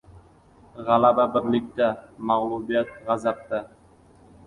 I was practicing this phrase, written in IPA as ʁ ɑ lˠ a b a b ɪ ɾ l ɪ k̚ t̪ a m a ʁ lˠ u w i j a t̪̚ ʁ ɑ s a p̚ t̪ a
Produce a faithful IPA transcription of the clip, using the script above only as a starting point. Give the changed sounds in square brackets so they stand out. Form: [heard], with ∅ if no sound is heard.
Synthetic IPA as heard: ʁ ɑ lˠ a b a b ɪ ɾ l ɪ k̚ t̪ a m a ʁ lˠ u [b] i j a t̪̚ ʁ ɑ [z] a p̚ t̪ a